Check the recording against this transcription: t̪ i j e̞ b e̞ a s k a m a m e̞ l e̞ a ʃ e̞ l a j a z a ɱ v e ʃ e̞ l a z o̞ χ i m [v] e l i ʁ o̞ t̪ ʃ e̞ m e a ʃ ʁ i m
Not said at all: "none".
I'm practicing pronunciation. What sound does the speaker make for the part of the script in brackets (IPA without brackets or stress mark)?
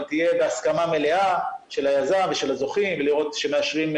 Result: v